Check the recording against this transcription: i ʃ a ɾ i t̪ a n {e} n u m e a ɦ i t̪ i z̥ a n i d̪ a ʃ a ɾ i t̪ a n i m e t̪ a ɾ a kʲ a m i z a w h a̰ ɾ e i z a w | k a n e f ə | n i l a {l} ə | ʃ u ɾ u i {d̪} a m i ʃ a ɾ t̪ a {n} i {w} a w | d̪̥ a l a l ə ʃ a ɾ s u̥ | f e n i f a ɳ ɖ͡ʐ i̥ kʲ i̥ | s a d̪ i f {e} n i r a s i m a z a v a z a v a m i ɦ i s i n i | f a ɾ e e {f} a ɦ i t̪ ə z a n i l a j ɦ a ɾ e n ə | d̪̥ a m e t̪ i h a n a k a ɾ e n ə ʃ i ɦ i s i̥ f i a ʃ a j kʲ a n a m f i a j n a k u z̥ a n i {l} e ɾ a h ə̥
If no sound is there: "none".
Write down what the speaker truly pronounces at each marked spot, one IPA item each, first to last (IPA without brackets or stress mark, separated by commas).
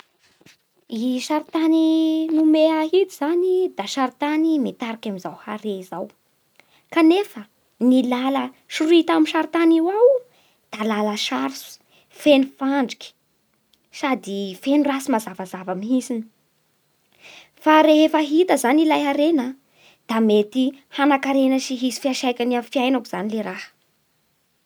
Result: i, l, t̪, n, w, e, f, l